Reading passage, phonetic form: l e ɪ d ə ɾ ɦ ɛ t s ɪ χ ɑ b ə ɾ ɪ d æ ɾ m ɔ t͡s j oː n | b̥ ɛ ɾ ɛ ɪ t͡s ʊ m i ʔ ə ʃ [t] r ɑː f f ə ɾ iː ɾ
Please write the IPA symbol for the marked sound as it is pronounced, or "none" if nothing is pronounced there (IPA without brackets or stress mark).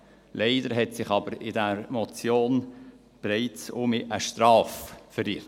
t